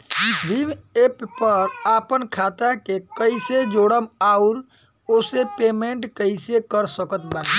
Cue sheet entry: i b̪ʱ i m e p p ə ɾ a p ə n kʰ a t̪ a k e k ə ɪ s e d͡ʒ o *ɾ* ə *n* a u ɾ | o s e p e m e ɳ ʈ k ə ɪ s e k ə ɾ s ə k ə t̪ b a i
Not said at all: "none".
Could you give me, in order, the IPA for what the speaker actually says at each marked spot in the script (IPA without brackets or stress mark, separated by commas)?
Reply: ɽ, m